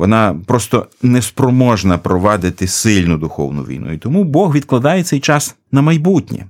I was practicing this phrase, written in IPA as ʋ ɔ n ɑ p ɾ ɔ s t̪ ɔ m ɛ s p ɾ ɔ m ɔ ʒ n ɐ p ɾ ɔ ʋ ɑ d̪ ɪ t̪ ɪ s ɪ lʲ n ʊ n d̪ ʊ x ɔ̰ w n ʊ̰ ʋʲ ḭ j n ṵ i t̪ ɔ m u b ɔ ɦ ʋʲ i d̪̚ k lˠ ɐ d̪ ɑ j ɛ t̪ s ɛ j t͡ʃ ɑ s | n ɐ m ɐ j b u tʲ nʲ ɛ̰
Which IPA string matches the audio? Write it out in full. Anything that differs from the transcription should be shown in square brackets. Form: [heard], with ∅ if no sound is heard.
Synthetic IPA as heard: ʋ ɔ n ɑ p ɾ ɔ s t̪ ɔ [n] ɛ s p ɾ ɔ m ɔ ʒ n ɐ p ɾ ɔ ʋ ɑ d̪ ɪ t̪ ɪ s ɪ lʲ n ʊ [∅] d̪ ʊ x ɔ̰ w n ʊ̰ ʋʲ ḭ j n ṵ i t̪ ɔ m u b ɔ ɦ ʋʲ i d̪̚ k lˠ ɐ d̪ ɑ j ɛ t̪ s ɛ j t͡ʃ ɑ s | n ɐ m ɐ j b u tʲ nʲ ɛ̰